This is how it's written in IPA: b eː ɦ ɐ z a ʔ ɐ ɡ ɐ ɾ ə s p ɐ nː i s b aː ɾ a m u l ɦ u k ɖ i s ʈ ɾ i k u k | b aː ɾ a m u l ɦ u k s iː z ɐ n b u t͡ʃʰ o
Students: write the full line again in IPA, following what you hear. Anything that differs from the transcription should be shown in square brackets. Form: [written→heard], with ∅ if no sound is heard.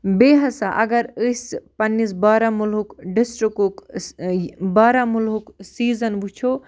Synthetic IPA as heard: b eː ɦ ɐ [z→s] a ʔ ɐ ɡ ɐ ɾ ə s p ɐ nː i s b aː ɾ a m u l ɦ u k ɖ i s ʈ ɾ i k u k | b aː ɾ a m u l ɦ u k s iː z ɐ n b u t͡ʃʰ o

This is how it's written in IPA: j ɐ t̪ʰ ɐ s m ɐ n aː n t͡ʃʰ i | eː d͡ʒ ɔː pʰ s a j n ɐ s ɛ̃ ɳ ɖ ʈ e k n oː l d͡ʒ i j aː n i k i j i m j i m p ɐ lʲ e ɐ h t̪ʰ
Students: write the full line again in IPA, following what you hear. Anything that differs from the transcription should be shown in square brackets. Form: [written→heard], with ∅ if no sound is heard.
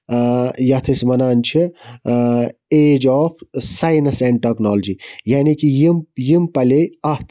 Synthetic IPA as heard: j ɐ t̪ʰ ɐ s m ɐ n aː n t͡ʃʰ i | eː d͡ʒ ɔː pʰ s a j n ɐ s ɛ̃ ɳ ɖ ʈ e k n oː l d͡ʒ i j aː n i k i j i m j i m p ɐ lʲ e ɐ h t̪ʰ

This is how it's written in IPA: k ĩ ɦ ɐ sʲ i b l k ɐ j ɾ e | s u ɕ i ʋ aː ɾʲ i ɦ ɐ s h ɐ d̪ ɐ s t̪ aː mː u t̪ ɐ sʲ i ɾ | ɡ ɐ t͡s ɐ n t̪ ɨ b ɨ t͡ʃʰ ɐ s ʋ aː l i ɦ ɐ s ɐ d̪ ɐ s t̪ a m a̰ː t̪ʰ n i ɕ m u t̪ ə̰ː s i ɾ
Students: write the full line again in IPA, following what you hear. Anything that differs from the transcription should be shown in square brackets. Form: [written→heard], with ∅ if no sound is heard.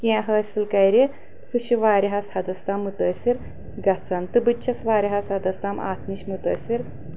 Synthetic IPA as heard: k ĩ ɦ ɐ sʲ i [b→∅] l k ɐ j ɾ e | s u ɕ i ʋ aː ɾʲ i ɦ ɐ s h ɐ d̪ ɐ s t̪ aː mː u t̪ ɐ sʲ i ɾ | ɡ ɐ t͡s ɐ n t̪ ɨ b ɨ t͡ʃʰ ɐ s ʋ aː [l→ɾ] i ɦ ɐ s ɐ d̪ ɐ s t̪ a m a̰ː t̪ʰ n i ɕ m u t̪ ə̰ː s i ɾ

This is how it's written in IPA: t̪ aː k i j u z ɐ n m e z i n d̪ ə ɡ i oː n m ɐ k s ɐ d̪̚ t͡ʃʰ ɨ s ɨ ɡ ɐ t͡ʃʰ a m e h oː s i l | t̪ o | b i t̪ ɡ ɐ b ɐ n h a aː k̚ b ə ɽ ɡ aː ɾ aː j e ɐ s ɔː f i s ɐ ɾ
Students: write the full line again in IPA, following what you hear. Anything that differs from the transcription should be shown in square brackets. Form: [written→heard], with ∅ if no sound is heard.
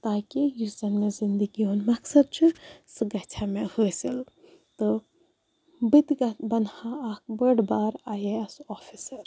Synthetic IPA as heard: t̪ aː k i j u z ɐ n m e z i n d̪ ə ɡ i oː n m ɐ k s ɐ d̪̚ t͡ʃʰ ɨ s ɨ ɡ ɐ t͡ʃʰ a m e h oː s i l | t̪ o | b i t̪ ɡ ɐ b ɐ n h a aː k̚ b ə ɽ [ɡ→b] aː ɾ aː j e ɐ s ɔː f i s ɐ ɾ

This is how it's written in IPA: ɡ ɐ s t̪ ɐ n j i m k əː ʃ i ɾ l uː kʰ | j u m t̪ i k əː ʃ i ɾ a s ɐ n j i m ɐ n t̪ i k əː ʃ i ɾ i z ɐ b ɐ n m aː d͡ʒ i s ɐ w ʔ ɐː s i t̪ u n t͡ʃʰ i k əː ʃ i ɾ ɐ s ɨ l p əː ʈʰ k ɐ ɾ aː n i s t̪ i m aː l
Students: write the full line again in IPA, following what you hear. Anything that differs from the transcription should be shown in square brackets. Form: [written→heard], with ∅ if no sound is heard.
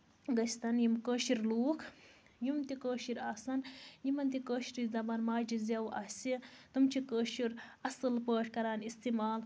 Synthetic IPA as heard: ɡ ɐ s t̪ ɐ n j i m k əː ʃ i ɾ l uː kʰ | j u m t̪ i k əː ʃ i ɾ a s ɐ n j i m ɐ n t̪ i k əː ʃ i ɾ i z ɐ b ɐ n m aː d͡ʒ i [s→z] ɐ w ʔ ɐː s i t̪ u [n→m] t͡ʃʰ i k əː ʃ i ɾ ɐ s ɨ l p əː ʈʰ k ɐ ɾ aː n i s t̪ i m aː l

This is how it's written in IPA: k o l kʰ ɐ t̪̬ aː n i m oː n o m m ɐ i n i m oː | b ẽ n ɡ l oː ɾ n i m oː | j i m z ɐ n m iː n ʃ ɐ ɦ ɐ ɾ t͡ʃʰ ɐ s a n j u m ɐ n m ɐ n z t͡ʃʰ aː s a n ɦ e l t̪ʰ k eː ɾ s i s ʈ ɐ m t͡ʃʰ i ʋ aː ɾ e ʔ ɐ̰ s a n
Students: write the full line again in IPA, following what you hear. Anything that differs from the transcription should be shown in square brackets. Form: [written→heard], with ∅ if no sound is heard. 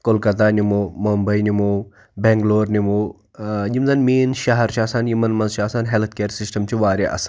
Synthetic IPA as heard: k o l [kʰ→k] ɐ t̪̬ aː n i m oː [n→m] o m [m→b] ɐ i n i m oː | b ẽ [n→ŋ] ɡ l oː ɾ n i m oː | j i m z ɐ n m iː n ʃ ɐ ɦ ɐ ɾ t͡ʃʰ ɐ s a n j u m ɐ n m ɐ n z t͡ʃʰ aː s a n ɦ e l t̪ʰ k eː ɾ s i s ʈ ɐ m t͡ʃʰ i ʋ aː ɾ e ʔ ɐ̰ s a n

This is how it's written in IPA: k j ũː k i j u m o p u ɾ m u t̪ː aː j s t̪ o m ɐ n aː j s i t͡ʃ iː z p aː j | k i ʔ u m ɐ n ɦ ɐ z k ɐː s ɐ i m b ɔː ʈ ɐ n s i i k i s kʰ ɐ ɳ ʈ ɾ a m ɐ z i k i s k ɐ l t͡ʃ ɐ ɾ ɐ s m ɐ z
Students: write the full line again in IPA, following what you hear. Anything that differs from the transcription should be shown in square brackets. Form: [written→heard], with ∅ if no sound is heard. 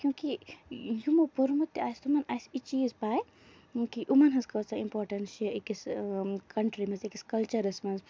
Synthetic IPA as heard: k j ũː k i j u m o p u ɾ m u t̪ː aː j s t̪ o m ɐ n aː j s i t͡ʃ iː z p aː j | k i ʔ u m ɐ n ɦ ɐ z k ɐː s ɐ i m [b→p] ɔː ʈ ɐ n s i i k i s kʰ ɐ ɳ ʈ ɾ [a→i] m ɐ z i k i s k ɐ l t͡ʃ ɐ ɾ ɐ s m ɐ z

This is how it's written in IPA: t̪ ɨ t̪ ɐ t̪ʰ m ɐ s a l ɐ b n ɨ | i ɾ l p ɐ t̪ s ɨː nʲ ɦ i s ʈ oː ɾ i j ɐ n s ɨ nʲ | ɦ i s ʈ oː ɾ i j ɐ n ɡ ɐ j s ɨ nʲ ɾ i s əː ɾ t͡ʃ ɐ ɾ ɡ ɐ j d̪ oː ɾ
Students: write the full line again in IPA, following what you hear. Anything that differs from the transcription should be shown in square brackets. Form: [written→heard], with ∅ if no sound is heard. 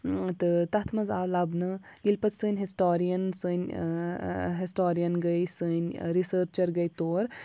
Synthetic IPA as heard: t̪ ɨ t̪ ɐ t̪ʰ m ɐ [s→z] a l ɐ b n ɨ | i [ɾ→∅] l p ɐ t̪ s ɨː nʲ ɦ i s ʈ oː ɾ i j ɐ n s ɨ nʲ | ɦ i s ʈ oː ɾ i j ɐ n ɡ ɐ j s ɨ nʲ ɾ i s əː ɾ t͡ʃ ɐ ɾ ɡ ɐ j [d̪→t̪] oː ɾ

